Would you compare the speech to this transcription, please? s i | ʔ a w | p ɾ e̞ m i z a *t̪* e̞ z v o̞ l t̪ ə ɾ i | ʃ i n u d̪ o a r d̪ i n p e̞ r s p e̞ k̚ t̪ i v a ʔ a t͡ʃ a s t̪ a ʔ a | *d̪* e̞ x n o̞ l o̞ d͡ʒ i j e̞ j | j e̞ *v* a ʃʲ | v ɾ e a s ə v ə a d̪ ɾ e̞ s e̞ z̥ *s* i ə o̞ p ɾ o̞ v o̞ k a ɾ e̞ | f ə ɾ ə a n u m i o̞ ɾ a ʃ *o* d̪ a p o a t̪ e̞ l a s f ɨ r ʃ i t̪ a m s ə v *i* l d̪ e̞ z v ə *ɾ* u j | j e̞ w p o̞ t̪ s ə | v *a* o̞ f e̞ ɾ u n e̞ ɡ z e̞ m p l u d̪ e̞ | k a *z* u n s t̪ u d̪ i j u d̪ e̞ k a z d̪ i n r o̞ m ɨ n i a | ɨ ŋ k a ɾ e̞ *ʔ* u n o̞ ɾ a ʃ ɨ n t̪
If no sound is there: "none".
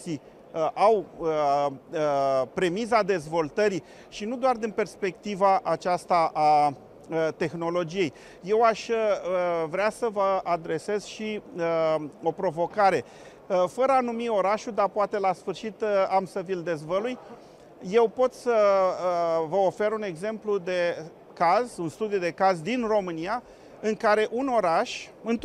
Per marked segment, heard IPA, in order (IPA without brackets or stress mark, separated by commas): d̪, t̪, w, ʃ, u, i, l, ə, z, ʔ